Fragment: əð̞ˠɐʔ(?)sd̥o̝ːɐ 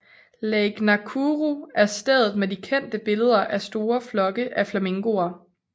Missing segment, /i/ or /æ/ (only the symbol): æ